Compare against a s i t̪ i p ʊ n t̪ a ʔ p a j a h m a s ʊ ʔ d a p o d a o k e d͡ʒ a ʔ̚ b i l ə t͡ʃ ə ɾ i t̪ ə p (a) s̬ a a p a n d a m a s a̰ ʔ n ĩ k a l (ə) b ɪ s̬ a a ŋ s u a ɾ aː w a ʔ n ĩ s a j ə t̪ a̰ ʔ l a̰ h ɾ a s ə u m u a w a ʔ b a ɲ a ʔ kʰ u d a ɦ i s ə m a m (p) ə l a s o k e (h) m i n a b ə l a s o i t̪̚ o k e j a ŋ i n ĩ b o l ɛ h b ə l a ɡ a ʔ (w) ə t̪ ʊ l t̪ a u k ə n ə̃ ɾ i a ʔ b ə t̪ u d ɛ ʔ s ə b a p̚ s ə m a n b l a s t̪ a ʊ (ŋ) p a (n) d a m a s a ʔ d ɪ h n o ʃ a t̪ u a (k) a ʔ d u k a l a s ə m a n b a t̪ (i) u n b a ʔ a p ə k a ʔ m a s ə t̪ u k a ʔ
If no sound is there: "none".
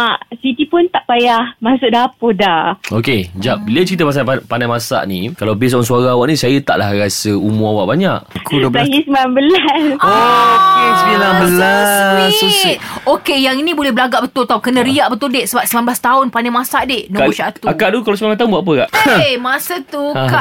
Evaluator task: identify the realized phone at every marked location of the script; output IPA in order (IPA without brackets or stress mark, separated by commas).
a, a, b, s, b, n, n, k, a